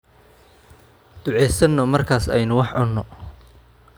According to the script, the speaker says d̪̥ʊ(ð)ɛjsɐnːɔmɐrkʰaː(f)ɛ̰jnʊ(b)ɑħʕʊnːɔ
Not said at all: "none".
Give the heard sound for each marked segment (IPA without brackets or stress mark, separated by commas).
ʕ, s, w